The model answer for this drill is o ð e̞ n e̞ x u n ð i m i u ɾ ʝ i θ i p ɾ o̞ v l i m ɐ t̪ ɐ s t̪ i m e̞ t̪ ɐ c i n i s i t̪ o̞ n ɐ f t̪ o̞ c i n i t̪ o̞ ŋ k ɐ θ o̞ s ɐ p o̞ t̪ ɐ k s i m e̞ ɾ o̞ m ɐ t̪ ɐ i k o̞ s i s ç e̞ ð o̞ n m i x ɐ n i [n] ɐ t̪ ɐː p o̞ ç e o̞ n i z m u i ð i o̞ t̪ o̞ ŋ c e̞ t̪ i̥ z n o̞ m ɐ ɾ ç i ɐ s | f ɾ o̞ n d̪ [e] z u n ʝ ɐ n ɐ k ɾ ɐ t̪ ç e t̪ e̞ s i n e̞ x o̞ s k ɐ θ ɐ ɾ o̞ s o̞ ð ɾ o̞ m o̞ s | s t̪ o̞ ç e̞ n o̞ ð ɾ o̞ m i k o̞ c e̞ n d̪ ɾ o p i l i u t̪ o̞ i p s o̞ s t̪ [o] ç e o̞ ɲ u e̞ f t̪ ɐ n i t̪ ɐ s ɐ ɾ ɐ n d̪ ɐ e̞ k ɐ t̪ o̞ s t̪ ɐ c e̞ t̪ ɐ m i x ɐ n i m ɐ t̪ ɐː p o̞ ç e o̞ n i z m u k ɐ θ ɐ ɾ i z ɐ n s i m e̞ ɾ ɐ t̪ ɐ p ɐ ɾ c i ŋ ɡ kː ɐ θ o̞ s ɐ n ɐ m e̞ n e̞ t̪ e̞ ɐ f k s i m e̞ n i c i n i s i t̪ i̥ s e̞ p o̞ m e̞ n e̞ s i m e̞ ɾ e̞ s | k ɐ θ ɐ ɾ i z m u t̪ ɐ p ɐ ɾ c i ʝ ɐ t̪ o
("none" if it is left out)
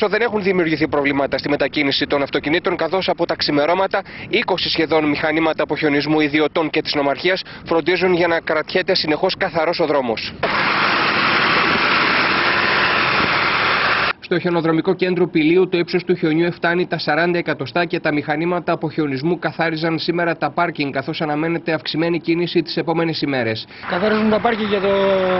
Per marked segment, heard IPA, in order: m, i, u

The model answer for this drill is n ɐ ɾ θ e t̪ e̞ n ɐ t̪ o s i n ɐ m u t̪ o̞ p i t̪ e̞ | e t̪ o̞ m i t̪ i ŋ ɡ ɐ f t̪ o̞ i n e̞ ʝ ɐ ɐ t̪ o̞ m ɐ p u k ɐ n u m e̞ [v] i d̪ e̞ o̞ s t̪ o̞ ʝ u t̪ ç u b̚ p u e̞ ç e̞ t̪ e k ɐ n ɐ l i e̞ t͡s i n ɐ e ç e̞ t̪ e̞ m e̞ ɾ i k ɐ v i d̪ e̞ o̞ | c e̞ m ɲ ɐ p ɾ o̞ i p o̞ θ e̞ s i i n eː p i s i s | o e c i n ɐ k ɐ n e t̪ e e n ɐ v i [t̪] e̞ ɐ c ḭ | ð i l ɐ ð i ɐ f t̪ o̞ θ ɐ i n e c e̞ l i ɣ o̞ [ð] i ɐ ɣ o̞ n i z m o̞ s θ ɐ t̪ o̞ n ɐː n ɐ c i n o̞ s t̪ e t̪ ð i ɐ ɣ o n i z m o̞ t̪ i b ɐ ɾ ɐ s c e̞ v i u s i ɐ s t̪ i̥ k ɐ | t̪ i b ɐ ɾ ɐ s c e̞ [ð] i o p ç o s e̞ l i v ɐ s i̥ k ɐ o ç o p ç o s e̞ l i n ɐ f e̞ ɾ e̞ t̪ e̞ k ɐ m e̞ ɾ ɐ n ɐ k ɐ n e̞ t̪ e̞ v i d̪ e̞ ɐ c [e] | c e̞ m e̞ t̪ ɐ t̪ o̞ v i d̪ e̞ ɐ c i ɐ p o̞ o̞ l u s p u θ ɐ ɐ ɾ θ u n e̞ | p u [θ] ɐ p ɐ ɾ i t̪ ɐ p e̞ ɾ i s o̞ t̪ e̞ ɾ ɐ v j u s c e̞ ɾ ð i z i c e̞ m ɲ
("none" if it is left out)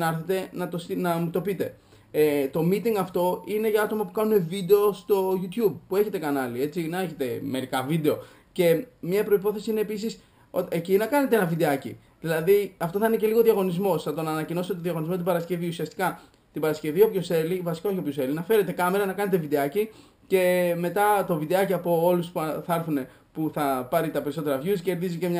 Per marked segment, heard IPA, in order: v, d̪, ð, v, i, θ

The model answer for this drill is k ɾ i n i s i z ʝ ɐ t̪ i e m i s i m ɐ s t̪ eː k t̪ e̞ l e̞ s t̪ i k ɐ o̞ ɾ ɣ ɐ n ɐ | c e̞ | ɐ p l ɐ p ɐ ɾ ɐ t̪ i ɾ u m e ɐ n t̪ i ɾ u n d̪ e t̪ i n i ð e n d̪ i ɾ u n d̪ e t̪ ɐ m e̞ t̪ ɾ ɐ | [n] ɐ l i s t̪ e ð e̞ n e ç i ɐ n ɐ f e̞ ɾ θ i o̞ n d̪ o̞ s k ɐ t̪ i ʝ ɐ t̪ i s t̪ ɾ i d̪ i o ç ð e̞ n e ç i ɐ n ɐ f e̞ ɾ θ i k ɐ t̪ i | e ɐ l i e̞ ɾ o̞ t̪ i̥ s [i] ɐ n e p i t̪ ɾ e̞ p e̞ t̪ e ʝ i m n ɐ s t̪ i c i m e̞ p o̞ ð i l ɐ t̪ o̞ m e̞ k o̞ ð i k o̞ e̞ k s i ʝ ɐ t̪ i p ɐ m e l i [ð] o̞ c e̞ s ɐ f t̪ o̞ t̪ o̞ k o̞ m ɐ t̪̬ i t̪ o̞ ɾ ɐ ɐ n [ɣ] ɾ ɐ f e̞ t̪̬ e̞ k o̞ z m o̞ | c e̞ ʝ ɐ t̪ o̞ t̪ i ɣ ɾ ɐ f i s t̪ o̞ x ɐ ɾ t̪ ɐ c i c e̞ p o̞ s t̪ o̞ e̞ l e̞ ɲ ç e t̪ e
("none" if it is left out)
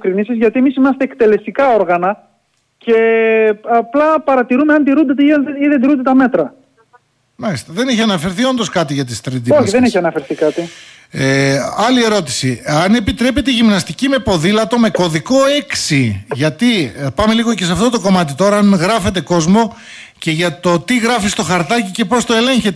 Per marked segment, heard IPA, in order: m, i, ɣ, ɣ

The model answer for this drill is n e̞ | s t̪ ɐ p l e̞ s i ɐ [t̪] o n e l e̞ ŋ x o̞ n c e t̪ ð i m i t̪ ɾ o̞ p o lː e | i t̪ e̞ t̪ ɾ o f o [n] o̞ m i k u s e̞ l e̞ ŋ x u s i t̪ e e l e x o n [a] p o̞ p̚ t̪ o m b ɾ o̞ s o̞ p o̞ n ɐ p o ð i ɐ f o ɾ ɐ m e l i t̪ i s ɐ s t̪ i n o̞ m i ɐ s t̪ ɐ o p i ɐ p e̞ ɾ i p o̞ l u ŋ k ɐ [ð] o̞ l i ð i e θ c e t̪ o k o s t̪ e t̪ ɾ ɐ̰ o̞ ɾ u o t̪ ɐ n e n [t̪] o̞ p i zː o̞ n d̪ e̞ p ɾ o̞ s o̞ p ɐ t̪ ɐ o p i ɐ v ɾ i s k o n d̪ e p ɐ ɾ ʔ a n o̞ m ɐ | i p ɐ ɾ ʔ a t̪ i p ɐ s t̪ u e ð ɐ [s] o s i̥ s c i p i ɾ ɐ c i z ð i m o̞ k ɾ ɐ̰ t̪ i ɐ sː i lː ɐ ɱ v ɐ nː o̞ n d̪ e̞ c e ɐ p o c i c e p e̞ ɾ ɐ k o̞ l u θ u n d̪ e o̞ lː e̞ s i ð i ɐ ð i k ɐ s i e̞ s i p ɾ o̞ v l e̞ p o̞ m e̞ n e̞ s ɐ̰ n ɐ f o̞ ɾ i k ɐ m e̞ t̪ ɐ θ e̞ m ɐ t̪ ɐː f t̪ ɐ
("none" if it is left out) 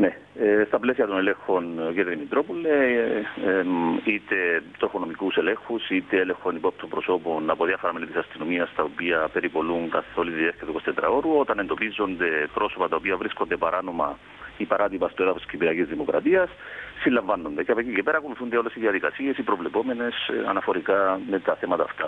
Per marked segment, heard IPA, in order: t̪, n, i, θ, d̪, f

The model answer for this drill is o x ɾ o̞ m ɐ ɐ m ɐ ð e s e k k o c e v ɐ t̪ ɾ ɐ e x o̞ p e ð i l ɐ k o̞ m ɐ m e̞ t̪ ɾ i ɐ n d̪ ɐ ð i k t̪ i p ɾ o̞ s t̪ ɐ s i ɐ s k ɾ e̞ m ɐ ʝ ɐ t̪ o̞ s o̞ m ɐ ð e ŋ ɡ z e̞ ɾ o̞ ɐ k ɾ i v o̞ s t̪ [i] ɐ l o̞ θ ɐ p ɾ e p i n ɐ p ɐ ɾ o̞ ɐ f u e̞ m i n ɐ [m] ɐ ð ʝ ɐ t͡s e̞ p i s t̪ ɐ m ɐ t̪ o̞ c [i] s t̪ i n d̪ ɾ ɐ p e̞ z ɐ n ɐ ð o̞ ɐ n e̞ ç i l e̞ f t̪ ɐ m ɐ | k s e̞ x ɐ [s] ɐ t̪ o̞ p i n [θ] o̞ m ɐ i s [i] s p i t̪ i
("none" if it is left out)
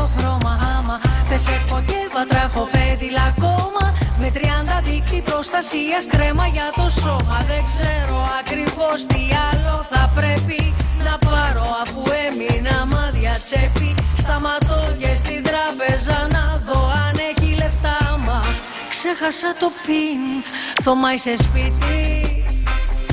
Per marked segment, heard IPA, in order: i, m, e, s, θ, e

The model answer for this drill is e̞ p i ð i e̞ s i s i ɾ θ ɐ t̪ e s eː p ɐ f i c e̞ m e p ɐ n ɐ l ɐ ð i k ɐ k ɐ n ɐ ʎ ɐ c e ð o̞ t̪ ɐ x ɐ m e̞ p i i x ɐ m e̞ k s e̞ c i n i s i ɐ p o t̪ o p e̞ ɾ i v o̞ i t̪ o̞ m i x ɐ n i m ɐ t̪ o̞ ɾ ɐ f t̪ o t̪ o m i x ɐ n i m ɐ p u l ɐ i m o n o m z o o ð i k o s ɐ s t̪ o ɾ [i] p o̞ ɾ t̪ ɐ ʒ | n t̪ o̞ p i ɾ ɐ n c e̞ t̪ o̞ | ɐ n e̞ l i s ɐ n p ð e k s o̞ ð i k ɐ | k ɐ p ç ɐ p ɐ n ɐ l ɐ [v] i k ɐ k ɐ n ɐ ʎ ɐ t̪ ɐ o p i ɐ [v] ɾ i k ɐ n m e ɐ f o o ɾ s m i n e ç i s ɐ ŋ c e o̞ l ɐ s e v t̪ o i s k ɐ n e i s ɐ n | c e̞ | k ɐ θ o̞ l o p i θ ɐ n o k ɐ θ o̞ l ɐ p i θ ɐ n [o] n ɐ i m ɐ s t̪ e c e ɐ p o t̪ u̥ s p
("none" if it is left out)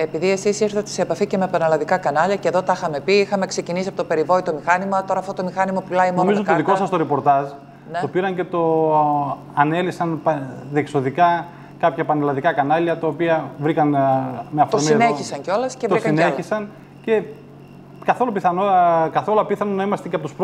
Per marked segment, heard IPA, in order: e, ð, v, o

